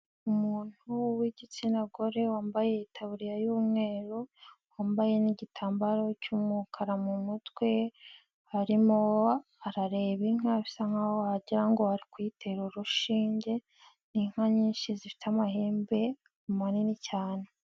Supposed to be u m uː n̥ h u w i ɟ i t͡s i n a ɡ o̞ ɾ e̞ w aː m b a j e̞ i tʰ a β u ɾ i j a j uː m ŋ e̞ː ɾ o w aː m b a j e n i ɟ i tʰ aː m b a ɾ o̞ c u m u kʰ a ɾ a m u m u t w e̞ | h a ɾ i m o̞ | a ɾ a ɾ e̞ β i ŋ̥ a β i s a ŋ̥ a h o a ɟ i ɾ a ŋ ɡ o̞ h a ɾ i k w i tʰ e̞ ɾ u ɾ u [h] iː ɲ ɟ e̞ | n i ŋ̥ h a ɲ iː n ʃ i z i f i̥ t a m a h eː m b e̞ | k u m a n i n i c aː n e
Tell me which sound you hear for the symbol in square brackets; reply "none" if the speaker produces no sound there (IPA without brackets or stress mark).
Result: ʃ